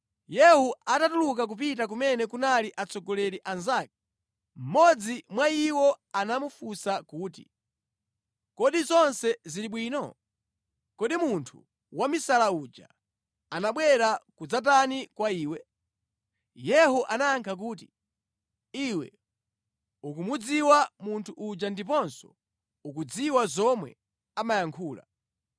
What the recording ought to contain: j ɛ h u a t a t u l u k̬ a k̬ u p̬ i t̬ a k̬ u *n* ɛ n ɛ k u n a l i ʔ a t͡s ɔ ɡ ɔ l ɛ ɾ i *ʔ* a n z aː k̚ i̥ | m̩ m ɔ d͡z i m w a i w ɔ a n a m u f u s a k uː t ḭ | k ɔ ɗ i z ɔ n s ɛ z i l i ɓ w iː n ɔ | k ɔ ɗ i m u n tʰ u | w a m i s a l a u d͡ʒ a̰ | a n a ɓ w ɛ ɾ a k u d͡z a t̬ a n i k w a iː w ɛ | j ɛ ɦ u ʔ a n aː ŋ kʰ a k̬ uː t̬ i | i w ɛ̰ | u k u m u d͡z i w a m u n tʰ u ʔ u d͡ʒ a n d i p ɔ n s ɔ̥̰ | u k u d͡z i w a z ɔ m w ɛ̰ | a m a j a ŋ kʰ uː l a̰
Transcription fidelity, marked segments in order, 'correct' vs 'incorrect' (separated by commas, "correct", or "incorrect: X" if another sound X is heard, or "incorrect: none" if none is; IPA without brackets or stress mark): incorrect: m, correct